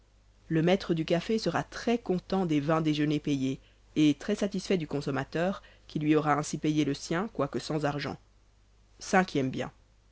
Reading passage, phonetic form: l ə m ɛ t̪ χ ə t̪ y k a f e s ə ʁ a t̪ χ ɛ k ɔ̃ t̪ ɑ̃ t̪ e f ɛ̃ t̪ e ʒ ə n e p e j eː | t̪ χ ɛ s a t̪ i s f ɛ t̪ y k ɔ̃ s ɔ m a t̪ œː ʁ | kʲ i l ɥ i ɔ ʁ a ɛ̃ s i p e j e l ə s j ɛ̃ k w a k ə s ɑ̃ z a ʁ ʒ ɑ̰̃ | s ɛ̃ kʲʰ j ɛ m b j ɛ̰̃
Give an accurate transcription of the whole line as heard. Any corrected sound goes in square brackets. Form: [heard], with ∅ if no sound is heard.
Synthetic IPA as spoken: l ə m ɛ t̪ χ ə [d̪] y k a f e s ə ʁ a t̪ χ ɛ k ɔ̃ t̪ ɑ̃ [d̪] e [v] ɛ̃ [d̪] e ʒ ə n e p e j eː | t̪ χ ɛ s a t̪ i s f ɛ [d̪] y k ɔ̃ s ɔ m a t̪ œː ʁ | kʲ i l ɥ i ɔ ʁ a ɛ̃ s i p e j e l ə s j ɛ̃ k w a k ə s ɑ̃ z a ʁ ʒ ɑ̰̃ | s ɛ̃ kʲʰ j ɛ m b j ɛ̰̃